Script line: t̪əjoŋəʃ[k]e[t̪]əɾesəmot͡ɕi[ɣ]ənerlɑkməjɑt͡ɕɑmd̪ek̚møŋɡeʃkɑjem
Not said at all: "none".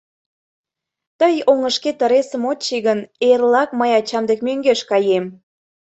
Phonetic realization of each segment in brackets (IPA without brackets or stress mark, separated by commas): k, t̪, ɣ